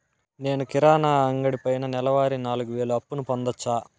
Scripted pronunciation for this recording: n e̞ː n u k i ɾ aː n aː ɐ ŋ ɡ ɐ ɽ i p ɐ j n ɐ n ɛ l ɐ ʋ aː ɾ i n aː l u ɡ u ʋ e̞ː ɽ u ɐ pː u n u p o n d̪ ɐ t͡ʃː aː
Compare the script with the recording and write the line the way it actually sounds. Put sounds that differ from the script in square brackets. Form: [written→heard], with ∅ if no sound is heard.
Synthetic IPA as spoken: n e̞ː n u k i ɾ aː n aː ɐ ŋ ɡ ɐ ɽ i p ɐ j n ɐ n ɛ l ɐ ʋ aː ɾ i n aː l u ɡ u ʋ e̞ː [ɽ→ɭ] u ɐ pː u n u p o n d̪ ɐ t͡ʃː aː